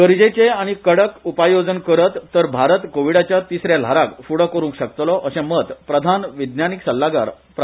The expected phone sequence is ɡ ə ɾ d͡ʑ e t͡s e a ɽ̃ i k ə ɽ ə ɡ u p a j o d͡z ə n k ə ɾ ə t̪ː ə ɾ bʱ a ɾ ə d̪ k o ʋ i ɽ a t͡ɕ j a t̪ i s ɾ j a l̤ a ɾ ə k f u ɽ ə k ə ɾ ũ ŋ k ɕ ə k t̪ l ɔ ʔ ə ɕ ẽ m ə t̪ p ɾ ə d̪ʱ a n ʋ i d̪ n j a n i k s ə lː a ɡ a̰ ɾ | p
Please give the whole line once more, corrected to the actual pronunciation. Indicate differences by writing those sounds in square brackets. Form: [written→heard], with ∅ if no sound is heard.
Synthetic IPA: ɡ ə ɾ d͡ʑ e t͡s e a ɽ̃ i k ə ɽ ə [ɡ→k] u p a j o d͡z ə n k ə ɾ ə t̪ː ə ɾ bʱ a ɾ ə [d̪→t̪] k o ʋ i ɽ a t͡ɕ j a t̪ i s ɾ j a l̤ a ɾ [ə→a] k f u ɽ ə k ə ɾ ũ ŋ k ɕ ə k t̪ l ɔ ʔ ə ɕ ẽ m ə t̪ p ɾ ə d̪ʱ a n ʋ i d̪ n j a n i k s ə lː a ɡ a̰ ɾ | p